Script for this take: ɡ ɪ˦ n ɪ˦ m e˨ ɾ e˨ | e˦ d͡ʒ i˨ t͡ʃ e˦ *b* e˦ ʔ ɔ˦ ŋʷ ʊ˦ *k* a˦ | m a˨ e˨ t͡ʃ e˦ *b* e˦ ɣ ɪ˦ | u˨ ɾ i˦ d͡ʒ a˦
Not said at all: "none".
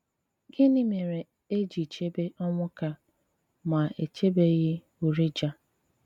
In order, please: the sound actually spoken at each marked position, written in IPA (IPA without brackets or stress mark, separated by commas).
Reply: b, k, b